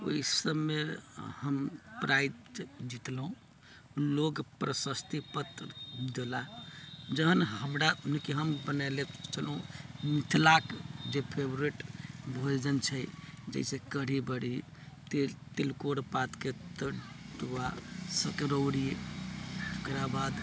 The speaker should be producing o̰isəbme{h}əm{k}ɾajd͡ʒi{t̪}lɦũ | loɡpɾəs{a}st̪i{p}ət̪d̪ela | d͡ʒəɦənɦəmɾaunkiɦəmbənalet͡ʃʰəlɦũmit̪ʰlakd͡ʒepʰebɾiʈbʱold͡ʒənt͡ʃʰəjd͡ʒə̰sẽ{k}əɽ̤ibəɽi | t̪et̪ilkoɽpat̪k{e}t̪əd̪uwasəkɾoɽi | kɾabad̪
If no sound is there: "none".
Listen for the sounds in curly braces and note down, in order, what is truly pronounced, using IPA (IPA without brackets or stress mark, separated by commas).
h, p, t̪, ə, p, k, e